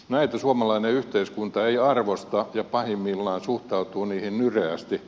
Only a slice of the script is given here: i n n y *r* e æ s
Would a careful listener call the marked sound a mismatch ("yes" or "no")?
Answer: no